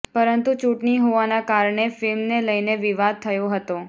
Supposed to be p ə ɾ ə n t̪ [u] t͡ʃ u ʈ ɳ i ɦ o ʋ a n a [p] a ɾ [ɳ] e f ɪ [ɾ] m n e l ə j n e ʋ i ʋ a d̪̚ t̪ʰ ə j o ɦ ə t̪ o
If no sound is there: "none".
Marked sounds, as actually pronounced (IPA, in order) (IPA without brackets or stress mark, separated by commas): u, k, ɳ, l